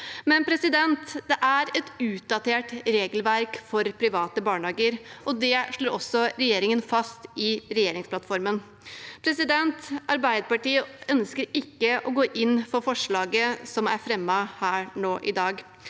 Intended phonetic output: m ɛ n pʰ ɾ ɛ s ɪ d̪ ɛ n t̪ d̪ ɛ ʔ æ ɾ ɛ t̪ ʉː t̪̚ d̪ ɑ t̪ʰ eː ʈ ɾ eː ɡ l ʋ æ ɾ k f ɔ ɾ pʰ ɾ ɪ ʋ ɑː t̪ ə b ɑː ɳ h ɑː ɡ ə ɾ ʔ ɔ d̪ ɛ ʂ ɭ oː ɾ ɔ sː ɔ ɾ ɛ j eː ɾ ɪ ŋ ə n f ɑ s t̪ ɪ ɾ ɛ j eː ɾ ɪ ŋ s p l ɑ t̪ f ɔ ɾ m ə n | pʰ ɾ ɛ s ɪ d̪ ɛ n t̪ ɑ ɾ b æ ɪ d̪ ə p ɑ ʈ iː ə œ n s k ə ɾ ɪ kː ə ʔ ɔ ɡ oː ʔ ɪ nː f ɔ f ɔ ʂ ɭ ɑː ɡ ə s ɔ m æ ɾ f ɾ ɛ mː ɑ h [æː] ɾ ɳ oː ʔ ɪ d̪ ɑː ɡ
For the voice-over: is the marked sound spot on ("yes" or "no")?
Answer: yes